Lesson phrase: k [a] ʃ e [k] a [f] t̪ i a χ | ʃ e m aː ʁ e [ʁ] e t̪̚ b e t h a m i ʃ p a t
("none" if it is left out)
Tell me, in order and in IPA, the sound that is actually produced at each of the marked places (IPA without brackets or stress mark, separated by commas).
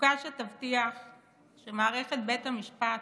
a, t, v, χ